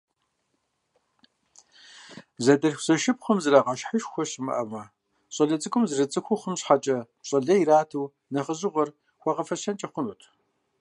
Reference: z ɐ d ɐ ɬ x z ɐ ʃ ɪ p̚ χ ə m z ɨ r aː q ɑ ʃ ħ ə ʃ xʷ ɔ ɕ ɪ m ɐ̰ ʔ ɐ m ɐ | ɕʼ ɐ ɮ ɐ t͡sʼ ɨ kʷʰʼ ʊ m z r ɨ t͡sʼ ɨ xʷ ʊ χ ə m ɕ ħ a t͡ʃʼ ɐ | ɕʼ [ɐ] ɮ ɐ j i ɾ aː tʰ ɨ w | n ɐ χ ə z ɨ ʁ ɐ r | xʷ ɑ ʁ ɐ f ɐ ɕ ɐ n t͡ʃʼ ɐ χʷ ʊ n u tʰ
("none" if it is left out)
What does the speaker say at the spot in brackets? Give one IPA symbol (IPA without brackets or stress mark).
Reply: ɐ